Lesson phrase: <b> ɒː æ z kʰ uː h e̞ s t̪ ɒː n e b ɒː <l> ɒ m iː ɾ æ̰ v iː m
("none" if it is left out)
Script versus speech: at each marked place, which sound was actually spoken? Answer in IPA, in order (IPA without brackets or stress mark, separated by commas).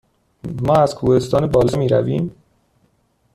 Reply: m, l